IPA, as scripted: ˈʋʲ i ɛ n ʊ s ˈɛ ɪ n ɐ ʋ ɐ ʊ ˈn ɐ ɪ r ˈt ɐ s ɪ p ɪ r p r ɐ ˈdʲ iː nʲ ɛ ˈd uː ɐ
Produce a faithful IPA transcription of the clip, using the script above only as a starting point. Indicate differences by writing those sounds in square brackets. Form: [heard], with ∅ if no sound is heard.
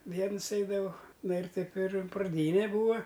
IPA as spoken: ˈʋʲ i ɛ n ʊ s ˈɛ ɪ [d] ɐ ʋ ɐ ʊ ˈn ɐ ɪ r ˈt ɐ [∅] ɪ p ɪ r p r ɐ ˈdʲ iː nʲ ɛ [ˈb] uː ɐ